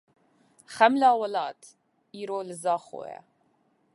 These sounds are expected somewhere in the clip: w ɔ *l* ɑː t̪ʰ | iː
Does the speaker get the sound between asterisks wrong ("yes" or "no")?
no